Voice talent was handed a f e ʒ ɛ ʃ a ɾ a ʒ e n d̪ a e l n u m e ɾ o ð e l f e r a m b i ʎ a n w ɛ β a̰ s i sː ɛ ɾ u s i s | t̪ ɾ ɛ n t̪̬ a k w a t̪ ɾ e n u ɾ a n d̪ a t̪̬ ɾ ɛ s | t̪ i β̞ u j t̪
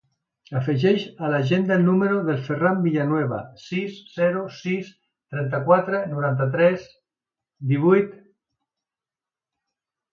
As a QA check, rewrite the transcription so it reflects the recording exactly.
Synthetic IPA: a f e ʒ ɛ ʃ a l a ʒ e n d̪ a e l n u m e ɾ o ð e l f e r a m b i ʎ a n w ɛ β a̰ s i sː ɛ ɾ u s i s | t̪ ɾ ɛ n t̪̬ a k w a t̪ ɾ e n u ɾ a n t̪ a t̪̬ ɾ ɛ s | d̪ i β̞ u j t̪